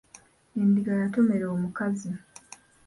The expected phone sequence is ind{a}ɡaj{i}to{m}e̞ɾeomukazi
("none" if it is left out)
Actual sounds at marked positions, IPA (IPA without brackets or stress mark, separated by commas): i, a, m